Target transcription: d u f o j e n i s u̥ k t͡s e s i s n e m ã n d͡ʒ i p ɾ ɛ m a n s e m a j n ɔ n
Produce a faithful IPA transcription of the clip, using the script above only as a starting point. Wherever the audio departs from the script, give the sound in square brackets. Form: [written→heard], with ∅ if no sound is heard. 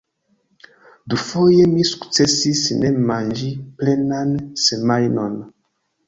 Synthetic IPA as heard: d u f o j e [n→m] i s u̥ k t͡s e s i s n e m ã n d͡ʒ i p [ɾ→l] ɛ [m→n] a n s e m a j n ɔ n